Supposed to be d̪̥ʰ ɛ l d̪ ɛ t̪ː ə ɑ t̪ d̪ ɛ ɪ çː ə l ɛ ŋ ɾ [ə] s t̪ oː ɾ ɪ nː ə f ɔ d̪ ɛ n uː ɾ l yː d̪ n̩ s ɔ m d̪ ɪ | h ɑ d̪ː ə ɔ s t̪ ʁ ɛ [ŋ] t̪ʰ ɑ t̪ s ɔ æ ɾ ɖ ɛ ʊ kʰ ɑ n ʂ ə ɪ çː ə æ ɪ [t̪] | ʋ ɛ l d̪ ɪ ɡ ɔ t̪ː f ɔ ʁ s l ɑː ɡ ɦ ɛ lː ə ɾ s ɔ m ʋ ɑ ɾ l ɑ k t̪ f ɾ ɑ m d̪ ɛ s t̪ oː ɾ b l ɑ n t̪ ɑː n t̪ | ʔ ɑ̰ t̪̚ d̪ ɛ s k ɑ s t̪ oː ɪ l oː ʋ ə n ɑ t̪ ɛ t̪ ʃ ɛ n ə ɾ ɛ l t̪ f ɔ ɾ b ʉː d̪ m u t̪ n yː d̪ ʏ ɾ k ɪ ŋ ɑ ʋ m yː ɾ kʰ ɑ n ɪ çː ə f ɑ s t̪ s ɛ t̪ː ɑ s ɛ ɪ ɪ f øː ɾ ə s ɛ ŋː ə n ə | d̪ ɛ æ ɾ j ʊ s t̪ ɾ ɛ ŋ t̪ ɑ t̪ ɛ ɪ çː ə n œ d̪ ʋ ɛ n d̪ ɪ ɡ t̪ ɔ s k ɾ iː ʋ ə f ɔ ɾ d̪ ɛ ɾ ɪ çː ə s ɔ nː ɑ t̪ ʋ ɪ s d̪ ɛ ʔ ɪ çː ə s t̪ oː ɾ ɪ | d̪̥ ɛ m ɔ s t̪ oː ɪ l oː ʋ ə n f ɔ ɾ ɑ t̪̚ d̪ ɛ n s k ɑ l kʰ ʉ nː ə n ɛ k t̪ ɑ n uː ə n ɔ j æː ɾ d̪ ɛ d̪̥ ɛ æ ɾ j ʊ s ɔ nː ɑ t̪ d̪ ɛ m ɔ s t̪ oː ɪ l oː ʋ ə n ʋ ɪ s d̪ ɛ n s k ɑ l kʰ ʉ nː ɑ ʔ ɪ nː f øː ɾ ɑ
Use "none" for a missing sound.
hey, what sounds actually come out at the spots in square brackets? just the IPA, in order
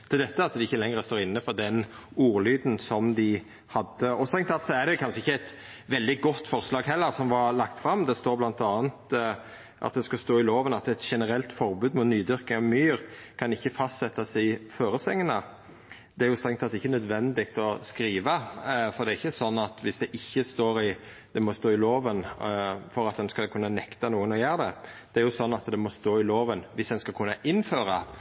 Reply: ə, ŋ, t̪

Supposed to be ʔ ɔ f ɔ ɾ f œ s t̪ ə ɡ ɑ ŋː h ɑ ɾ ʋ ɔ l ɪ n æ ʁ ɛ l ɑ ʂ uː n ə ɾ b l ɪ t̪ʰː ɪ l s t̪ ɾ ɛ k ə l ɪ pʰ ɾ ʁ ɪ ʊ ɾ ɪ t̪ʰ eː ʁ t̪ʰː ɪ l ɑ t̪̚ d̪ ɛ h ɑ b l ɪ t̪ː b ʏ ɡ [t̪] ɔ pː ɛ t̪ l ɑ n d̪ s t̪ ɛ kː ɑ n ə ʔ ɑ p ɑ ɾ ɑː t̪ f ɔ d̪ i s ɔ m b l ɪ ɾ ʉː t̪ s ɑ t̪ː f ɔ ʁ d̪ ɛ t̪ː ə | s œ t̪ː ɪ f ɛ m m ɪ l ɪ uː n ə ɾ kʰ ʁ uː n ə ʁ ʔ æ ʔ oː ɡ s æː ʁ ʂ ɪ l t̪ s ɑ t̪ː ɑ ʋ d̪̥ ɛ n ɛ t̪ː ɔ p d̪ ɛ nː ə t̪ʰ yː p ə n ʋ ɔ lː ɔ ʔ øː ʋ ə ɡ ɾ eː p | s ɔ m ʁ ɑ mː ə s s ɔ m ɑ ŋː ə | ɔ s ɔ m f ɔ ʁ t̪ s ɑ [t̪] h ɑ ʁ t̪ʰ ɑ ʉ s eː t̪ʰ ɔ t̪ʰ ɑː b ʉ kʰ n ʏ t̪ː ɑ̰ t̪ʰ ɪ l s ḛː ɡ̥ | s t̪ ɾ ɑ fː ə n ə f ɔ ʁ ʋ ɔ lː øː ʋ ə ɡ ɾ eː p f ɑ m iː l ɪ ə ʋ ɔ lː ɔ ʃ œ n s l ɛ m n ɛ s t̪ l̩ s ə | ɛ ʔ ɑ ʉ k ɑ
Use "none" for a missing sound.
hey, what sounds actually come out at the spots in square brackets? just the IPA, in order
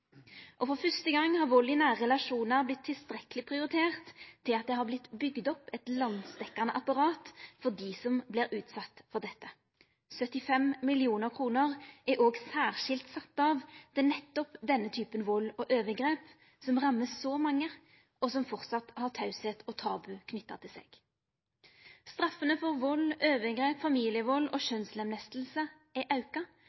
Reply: d̪, t̪

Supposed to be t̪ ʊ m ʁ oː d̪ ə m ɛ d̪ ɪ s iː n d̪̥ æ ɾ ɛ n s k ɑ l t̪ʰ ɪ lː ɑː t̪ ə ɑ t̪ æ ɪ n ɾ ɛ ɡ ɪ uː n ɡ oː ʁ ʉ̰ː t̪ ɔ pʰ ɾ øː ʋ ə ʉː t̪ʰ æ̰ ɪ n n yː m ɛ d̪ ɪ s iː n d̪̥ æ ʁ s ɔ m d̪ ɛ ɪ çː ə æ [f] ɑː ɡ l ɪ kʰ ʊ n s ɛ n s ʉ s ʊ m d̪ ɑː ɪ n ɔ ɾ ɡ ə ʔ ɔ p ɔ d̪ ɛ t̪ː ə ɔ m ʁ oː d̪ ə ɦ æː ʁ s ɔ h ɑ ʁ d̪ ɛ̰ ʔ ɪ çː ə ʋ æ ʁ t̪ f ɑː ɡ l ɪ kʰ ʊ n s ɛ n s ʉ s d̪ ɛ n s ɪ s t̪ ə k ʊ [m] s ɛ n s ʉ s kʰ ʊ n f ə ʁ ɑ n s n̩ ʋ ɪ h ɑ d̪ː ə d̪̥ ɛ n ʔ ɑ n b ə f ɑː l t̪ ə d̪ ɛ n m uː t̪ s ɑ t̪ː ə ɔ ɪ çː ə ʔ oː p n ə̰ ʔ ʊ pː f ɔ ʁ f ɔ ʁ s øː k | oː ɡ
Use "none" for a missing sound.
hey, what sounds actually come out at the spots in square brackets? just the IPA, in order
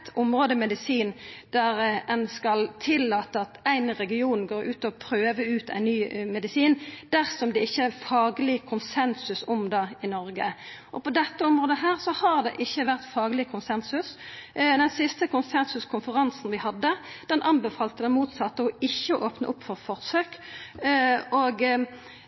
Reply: f, n

